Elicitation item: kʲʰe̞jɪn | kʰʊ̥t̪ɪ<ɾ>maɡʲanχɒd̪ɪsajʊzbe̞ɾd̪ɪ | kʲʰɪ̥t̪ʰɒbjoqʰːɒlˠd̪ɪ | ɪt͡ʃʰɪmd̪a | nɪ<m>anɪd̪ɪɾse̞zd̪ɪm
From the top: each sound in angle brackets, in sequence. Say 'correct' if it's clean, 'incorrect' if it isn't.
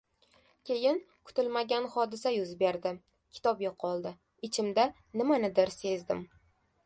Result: incorrect: l, correct

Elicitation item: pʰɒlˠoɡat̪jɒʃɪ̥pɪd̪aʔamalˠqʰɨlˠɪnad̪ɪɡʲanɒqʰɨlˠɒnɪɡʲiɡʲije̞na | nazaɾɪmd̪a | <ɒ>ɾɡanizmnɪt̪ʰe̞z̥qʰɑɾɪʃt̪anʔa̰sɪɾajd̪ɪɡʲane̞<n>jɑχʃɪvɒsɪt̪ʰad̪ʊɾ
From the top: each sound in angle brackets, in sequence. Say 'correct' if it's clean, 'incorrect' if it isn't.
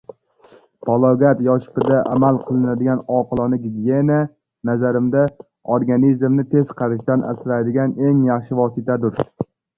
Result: incorrect: o, incorrect: ŋ

